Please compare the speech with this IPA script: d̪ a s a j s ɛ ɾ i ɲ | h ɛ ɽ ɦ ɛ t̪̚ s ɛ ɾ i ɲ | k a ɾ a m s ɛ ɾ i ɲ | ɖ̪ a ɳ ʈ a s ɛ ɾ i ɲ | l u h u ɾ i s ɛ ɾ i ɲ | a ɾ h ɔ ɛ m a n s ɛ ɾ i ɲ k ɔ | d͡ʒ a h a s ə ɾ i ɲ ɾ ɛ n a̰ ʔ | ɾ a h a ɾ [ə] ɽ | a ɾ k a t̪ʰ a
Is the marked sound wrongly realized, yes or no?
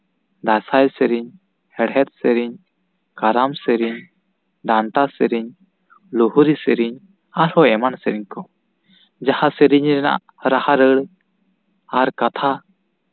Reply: no